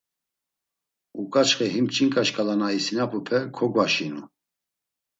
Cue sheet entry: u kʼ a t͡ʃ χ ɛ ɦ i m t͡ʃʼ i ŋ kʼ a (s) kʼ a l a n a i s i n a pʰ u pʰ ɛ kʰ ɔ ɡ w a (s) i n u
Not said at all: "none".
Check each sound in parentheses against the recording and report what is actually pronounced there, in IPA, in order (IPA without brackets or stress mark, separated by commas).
ʃ, ʃ